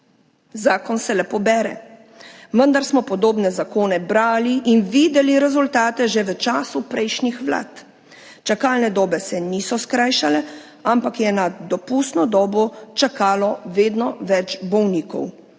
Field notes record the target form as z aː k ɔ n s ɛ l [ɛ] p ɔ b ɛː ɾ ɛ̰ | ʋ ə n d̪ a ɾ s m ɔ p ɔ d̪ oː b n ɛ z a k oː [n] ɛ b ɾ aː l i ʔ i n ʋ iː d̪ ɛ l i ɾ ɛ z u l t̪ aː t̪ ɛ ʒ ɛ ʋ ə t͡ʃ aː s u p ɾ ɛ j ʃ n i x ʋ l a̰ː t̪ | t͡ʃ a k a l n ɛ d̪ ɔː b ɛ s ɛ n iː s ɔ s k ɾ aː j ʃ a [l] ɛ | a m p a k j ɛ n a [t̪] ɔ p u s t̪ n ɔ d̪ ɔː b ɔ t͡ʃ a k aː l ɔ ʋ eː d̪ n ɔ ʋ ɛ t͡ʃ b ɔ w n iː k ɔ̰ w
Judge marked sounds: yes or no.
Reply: yes, yes, yes, no

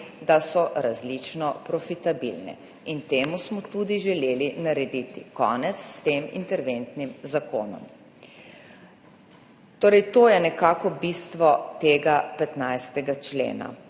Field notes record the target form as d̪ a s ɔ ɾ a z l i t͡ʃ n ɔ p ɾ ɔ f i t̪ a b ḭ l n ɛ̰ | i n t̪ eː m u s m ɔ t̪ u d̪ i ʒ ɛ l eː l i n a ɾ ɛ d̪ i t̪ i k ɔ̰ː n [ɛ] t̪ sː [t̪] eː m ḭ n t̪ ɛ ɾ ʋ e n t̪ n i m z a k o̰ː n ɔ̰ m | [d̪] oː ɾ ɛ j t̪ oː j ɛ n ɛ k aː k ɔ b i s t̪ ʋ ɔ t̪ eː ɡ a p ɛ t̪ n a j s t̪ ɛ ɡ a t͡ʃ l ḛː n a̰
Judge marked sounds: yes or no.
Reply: yes, yes, no

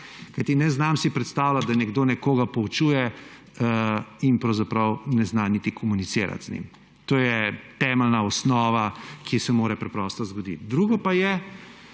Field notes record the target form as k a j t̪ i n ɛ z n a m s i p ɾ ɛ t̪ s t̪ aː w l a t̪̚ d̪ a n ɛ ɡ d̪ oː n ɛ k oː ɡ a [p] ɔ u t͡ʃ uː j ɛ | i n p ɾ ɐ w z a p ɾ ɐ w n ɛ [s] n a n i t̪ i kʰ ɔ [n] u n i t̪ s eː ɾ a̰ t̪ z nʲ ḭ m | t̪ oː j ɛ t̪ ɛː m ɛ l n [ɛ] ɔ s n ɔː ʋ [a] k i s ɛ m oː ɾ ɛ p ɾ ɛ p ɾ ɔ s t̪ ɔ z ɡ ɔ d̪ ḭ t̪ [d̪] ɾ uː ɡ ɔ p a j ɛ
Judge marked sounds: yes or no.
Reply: yes, no, no, no, yes, yes

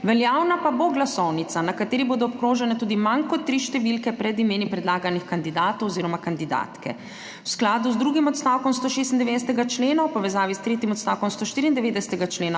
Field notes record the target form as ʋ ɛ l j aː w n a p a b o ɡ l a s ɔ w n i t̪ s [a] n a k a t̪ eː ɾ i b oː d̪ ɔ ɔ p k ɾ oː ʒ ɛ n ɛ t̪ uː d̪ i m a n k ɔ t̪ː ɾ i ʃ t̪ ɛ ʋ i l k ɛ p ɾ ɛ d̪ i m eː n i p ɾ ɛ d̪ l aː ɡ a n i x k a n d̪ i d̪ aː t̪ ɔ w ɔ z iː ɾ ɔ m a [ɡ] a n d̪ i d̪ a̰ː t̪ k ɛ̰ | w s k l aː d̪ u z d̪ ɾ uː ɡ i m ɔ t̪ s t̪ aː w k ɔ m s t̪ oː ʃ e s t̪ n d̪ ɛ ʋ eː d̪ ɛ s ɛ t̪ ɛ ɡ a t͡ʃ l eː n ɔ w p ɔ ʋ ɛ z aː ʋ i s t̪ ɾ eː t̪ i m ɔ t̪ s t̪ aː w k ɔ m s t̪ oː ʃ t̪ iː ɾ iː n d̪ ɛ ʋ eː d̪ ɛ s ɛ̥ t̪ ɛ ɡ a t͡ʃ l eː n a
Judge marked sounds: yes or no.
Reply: yes, no

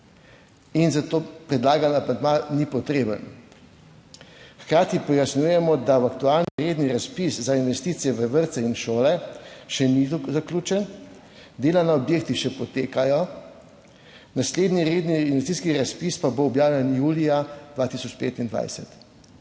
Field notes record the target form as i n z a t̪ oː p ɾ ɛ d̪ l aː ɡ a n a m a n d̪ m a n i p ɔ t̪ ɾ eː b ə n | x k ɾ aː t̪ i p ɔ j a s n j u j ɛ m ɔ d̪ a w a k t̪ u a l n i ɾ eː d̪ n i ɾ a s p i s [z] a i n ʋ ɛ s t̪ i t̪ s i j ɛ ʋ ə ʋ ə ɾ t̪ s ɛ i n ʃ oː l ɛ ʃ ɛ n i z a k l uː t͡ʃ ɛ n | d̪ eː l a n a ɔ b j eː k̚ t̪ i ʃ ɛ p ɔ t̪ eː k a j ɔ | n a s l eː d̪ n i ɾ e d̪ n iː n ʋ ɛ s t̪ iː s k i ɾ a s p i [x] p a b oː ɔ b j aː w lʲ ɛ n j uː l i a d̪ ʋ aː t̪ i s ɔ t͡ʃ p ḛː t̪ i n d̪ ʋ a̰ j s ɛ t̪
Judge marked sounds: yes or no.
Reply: yes, no

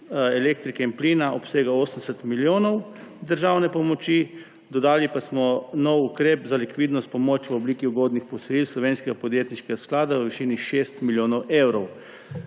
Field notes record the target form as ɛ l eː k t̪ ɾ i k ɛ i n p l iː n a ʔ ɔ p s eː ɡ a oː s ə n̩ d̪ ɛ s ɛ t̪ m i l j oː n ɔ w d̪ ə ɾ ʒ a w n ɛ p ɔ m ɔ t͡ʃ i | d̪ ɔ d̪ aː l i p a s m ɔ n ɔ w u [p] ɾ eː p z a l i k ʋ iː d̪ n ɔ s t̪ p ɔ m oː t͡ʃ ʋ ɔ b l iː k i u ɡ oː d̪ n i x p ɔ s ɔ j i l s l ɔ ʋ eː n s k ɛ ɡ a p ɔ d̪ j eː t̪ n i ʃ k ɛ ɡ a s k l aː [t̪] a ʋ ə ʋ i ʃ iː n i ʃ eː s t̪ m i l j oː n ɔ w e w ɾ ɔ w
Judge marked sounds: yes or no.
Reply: no, no

